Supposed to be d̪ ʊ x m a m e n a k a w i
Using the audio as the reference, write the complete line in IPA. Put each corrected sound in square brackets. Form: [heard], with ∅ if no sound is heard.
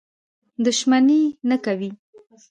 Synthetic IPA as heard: d̪ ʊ [ʃ] m a [n] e n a k a w i

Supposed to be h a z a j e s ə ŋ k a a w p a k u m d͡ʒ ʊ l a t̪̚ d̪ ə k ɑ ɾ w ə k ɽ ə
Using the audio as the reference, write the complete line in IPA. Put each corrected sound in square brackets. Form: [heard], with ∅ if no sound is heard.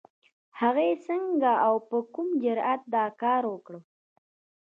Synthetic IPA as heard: h a [ɣ] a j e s ə ŋ [ɡ] a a w p [ə] k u m d͡ʒ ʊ [ɾ] a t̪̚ d̪ [ɑ] k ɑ ɾ w ə k ɽ ə

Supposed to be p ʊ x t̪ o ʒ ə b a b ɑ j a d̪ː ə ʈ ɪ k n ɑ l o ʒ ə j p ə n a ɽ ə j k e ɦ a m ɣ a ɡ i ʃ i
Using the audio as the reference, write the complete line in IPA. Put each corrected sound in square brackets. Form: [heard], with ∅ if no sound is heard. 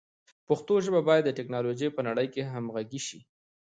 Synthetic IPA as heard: p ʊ x t̪ o ʒ ə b a b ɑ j a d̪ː ə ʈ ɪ k n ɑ l o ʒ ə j p ə n a ɽ ə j k e ɦ a m ɣ a ɡ i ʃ i

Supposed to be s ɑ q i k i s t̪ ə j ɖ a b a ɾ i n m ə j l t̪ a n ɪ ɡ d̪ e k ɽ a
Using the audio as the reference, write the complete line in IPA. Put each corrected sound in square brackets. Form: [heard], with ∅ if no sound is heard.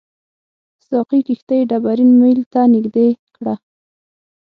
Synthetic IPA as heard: s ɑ q i k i [x] t̪ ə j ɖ a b a ɾ i n m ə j l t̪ a n ɪ ɡ d̪ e k ɽ a

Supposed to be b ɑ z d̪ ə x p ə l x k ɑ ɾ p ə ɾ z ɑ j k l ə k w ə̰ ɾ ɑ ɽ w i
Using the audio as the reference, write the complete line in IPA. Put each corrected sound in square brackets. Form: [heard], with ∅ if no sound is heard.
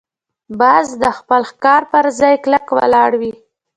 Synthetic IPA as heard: b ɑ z d̪ ə x p ə l x k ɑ ɾ p ə ɾ z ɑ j k l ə k w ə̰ [l] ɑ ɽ w i

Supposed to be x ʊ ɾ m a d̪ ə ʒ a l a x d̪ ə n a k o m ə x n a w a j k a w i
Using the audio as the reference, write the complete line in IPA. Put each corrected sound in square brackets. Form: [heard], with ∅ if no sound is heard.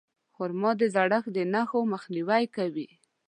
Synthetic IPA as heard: x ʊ ɾ m [ɑ] d̪ ə [z] a [ɽ] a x d̪ ə n a [x] o m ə x n [i] w a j k a w i

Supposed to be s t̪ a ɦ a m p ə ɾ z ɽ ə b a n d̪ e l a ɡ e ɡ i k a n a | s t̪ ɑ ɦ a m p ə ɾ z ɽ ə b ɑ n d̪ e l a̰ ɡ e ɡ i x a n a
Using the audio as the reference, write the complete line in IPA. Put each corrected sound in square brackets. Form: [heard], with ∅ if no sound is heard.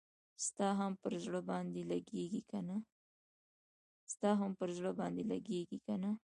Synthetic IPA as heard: s t̪ [ɑ] ɦ a m p ə ɾ z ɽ ə b [ɑ] n d̪ e l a ɡ e ɡ i k a n a | s t̪ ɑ ɦ a m p ə ɾ z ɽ ə b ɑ n d̪ e l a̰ ɡ e ɡ i [k] a n a

